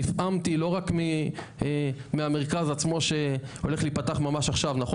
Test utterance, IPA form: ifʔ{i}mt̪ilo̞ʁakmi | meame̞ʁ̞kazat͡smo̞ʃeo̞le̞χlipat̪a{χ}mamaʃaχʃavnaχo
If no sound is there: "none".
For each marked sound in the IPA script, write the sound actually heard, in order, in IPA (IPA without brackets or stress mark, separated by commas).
a, χ